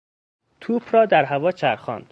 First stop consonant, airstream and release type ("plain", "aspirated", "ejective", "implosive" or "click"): aspirated